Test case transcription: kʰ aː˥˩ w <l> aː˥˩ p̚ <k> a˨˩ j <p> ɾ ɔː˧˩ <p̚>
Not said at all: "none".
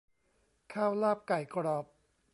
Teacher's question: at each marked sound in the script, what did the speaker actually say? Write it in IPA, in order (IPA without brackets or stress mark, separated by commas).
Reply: l, k, k, p̚